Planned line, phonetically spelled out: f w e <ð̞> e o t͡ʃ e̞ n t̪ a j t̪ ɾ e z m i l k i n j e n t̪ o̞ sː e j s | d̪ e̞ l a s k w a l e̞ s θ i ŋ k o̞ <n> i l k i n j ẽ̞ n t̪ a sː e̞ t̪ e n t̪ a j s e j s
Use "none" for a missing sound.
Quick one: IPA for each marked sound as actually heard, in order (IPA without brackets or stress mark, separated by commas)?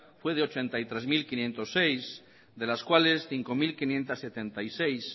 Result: ð̞, m